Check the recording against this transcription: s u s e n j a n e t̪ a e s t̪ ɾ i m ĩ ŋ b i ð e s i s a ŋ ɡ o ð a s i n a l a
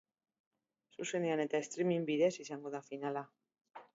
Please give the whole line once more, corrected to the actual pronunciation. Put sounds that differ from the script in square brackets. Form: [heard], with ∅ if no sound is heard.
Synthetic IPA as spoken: s u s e n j a n e t̪ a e s t̪ ɾ i m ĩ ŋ b i ð e s i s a ŋ ɡ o ð a [f] i n a l a